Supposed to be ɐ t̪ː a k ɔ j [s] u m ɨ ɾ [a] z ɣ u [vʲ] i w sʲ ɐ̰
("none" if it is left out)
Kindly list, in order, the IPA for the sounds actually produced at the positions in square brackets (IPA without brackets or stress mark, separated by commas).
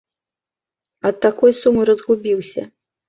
s, ɐ, bʲ